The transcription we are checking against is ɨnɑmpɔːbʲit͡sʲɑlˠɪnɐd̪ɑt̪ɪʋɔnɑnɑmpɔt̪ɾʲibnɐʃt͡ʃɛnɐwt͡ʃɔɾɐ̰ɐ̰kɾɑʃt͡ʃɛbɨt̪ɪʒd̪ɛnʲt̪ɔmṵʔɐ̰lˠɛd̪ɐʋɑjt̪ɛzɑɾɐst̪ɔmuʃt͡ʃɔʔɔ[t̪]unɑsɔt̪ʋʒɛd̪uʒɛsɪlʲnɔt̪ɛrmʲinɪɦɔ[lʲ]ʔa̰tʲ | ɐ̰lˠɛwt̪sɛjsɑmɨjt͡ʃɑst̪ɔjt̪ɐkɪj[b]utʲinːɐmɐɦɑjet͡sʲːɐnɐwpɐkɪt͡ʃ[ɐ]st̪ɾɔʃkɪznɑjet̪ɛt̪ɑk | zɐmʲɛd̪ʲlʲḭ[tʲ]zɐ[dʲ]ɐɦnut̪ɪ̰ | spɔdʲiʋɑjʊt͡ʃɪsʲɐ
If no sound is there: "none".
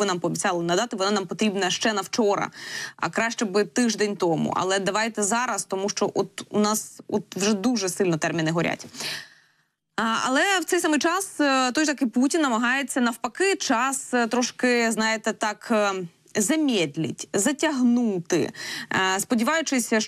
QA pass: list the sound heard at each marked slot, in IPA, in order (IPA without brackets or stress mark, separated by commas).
t̪, ɾʲ, p, ɑ, tʲ, tʲ